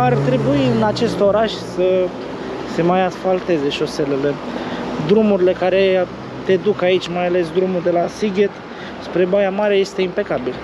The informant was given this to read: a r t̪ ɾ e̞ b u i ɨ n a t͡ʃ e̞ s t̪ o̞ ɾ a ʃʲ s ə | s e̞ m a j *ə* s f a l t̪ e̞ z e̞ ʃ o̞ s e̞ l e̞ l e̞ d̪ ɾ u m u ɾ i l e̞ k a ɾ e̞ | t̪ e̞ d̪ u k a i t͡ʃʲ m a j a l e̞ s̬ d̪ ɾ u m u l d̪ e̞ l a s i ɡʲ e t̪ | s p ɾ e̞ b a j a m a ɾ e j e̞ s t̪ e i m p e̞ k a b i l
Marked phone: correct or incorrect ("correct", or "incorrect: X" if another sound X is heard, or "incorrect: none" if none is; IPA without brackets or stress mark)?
incorrect: a